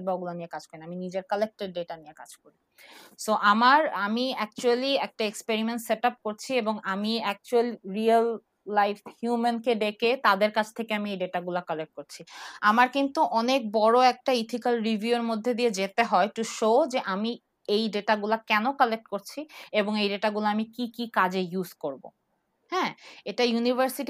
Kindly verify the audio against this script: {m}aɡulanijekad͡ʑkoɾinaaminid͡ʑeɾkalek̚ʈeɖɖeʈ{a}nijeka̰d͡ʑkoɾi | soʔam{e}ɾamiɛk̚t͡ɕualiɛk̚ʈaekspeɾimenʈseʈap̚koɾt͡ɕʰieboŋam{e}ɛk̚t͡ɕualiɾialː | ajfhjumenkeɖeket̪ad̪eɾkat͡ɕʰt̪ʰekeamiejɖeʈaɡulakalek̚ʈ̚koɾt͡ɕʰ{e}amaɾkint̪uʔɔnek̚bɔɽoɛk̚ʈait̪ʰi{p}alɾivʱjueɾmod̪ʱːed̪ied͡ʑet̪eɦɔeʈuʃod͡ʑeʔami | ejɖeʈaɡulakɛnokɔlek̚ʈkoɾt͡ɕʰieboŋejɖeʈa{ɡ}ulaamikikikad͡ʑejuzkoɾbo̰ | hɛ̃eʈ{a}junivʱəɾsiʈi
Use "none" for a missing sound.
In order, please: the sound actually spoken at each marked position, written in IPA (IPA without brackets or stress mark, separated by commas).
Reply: b, a, a, i, i, k, ɡ, a